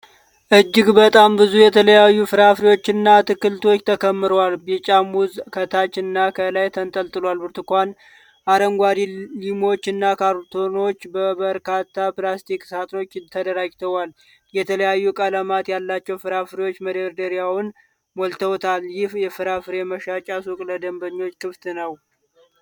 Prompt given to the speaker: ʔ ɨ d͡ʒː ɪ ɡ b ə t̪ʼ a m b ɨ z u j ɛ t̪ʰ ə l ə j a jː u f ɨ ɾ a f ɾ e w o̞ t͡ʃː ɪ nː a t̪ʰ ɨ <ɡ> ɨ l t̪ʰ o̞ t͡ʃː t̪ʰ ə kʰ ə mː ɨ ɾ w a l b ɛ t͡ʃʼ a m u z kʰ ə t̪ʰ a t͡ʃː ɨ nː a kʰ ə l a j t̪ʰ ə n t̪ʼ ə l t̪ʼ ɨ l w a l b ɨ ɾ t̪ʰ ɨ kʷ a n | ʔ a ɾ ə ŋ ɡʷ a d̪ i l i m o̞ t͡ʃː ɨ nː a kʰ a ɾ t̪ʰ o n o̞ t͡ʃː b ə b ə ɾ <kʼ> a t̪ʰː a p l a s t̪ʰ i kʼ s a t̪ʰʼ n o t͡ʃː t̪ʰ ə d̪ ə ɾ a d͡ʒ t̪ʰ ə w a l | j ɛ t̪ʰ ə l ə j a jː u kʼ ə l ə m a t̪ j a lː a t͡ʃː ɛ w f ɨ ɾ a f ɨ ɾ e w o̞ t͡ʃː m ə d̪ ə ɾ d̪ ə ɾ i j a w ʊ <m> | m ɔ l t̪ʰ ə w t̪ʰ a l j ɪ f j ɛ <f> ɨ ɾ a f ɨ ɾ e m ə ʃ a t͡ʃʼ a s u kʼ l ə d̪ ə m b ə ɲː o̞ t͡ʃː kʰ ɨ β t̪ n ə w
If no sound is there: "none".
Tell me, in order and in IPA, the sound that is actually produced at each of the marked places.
k, k, n, f

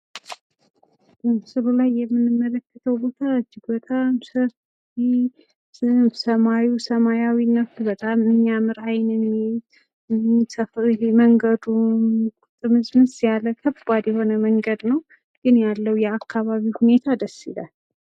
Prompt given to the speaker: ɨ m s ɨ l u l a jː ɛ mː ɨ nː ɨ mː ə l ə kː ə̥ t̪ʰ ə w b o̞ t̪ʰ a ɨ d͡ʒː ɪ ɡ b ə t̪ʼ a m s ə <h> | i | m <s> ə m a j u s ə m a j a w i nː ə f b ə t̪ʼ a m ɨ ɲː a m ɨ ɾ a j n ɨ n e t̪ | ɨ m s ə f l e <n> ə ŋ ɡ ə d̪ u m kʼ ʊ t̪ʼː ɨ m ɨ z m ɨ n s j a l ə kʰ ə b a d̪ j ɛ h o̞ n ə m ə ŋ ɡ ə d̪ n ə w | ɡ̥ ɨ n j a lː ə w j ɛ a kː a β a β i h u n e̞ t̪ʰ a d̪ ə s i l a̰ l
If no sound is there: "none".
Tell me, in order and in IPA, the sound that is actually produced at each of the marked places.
f, s, m

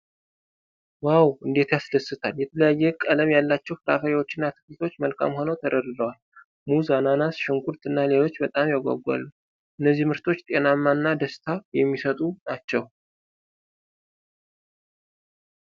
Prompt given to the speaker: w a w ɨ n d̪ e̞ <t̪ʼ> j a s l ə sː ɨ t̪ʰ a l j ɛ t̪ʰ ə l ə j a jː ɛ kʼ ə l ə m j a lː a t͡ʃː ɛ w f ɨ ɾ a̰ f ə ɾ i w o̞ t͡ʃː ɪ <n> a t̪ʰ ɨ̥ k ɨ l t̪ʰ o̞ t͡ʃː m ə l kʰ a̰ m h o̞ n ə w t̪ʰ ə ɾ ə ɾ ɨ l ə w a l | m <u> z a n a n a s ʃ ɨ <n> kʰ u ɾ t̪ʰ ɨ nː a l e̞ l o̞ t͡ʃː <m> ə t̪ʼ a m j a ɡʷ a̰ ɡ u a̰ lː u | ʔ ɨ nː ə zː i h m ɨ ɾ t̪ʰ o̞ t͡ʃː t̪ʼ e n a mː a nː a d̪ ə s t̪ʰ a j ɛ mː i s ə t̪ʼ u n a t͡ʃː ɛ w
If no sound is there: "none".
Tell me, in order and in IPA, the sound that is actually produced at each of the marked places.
t̪, nː, u, ŋ, b

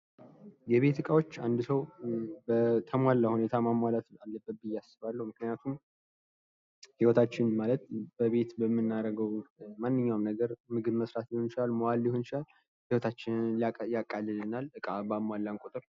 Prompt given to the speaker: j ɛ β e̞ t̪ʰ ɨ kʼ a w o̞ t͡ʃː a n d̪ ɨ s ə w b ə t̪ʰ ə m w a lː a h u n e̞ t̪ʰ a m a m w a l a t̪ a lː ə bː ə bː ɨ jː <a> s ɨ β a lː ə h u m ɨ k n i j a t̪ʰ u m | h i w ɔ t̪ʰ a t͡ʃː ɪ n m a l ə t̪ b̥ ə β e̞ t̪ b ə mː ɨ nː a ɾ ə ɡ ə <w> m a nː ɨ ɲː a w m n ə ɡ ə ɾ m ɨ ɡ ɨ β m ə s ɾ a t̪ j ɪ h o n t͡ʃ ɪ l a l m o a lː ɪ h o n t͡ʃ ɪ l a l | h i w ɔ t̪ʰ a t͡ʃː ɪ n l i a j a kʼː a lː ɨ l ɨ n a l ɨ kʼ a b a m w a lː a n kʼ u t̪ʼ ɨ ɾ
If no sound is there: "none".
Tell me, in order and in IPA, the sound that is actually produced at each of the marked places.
a, w

